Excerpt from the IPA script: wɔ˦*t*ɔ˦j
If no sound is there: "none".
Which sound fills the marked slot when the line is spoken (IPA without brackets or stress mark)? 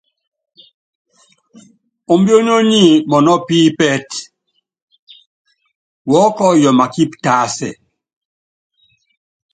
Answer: k